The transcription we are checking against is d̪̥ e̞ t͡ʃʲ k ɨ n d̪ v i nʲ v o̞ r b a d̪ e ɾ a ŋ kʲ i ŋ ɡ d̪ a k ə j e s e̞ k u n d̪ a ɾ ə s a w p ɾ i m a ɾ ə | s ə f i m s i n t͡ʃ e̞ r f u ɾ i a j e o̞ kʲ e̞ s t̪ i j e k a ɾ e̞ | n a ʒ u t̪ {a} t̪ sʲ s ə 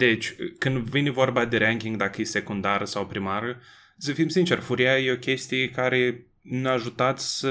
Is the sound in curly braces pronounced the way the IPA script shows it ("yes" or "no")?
yes